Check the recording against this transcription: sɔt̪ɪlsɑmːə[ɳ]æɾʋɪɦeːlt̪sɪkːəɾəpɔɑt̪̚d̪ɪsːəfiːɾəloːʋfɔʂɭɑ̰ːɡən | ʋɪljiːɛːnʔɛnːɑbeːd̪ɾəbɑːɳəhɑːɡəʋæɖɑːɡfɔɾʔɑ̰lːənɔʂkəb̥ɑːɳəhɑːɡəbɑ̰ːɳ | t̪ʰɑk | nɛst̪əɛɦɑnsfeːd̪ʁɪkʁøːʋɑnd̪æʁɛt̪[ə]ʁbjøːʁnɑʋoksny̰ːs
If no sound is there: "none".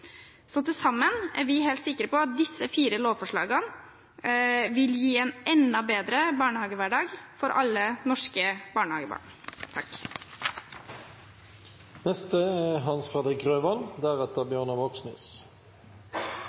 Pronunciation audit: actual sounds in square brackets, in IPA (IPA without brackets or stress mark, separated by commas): n, ə